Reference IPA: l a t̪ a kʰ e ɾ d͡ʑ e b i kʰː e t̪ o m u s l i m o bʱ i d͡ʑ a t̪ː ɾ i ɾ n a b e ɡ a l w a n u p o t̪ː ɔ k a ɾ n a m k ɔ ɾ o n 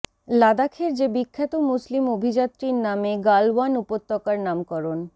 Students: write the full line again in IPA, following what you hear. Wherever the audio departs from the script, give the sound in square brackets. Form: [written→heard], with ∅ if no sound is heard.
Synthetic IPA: l a [t̪→d̪] a kʰ e ɾ d͡ʑ e b i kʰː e t̪ o m u s l i m o bʱ i d͡ʑ a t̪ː ɾ i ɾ n a [b→m] e ɡ a l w a n u p o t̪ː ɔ k a ɾ n a m k ɔ ɾ o n